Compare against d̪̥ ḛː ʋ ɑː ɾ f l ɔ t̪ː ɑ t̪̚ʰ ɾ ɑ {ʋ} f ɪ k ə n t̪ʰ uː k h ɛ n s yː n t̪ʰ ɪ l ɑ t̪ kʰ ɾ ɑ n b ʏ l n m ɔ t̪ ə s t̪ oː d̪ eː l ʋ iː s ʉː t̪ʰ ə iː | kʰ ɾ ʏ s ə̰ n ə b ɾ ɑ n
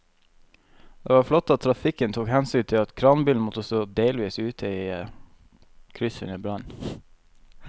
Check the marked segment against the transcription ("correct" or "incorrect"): incorrect